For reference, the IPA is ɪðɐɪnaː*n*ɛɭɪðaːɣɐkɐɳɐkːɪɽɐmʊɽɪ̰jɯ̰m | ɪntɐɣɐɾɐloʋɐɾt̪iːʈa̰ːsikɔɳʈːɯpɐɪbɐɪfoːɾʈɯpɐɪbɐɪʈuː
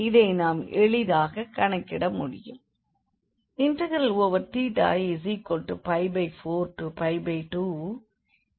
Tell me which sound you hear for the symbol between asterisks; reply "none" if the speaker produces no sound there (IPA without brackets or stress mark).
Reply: m